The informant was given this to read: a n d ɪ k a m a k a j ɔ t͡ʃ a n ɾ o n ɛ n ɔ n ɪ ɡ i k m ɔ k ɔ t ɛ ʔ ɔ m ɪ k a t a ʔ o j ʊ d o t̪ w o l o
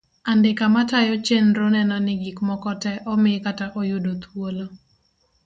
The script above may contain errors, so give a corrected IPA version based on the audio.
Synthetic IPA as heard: a n d ɪ k a m a t a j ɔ t͡ʃ e n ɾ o n ɛ n ɔ n ɪ ɡ i k m ɔ k ɔ t ɛ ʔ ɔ m ɪ k a t a ʔ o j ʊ d o t̪ w o l o